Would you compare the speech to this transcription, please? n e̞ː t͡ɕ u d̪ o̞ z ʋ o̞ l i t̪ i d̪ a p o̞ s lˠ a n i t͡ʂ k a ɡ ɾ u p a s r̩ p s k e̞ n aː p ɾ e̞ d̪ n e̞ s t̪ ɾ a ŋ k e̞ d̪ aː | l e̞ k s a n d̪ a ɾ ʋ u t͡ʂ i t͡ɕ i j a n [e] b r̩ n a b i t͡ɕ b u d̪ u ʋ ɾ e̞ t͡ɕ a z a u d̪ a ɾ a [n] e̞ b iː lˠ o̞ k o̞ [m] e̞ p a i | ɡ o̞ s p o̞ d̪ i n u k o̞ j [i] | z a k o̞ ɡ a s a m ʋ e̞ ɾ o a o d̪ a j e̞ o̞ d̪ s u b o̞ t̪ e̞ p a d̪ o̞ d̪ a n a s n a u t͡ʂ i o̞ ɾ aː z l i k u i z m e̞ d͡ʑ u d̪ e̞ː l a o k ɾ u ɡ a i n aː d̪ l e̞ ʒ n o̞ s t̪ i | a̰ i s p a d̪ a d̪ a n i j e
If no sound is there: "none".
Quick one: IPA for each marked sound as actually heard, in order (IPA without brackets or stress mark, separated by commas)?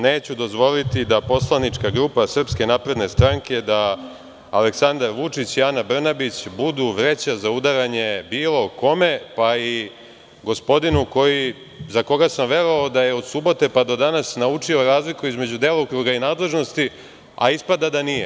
a, ɲ, m, i